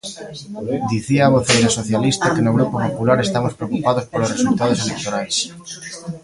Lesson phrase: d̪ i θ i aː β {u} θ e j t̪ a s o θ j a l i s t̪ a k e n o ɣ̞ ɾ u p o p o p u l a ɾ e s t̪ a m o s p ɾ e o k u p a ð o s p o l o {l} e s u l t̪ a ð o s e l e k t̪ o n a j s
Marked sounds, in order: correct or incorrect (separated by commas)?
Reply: incorrect, incorrect